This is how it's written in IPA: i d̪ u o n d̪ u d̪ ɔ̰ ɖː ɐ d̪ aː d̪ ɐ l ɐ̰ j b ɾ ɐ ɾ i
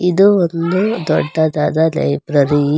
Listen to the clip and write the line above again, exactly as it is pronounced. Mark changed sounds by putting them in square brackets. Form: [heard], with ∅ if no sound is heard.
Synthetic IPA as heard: i d̪ u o n d̪ u d̪ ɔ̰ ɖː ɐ d̪ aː d̪ ɐ l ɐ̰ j b ɾ ɐ ɾ i